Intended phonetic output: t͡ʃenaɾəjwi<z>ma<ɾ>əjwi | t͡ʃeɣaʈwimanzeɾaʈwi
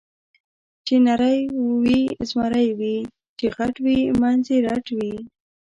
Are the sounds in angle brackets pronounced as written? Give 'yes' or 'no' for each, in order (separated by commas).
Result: yes, yes